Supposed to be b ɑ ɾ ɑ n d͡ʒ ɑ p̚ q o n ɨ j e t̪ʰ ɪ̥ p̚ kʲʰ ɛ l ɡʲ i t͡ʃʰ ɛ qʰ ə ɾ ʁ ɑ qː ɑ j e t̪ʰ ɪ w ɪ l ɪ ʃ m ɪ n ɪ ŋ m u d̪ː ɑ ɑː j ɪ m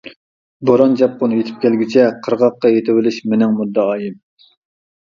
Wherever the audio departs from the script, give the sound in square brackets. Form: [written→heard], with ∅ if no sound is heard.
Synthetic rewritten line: b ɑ ɾ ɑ n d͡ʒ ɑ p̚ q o n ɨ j e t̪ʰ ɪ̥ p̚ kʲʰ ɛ l ɡʲ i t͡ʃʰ ɛ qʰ ə ɾ ʁ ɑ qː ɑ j e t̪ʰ ɪ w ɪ l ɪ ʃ m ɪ n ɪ ŋ m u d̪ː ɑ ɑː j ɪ m